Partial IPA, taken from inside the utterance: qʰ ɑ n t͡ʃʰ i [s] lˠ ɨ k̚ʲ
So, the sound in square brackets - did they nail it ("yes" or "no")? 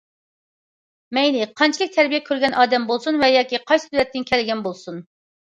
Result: no